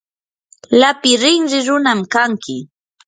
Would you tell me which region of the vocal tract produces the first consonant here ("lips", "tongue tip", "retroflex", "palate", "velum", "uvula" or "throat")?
tongue tip